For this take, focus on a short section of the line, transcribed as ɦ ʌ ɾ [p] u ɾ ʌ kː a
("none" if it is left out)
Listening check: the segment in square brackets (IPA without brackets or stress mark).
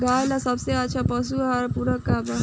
p